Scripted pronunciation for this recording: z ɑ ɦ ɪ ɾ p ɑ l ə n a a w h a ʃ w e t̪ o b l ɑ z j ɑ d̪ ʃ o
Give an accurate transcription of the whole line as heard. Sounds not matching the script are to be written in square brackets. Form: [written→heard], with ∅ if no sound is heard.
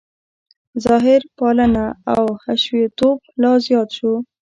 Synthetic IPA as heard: z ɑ ɦ ɪ ɾ p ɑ l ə n a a w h a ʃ w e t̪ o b l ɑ z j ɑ [d̪→t̪] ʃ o